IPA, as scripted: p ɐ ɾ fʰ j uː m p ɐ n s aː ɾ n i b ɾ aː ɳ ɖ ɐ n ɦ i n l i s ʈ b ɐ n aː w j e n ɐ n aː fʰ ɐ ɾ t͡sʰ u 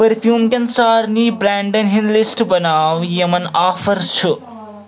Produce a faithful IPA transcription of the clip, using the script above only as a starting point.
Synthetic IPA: p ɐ ɾ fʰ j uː m k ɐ n s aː ɾ n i b ɾ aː ɳ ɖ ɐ n ɦ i n l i s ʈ b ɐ n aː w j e m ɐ n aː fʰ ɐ ɾ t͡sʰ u